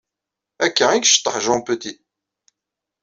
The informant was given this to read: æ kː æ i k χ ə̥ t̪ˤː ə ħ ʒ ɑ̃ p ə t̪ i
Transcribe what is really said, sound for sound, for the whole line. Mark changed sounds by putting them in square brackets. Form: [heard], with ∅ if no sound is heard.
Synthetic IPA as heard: æ kː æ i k [ʃ] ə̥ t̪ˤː ə ħ ʒ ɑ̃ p ə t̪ i